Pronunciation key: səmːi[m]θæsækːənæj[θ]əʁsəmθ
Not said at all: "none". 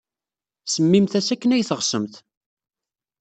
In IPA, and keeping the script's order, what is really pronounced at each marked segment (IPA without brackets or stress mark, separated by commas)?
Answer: m, θ